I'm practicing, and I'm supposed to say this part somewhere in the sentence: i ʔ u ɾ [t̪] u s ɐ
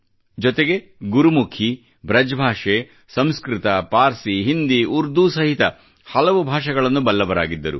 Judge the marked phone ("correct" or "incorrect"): incorrect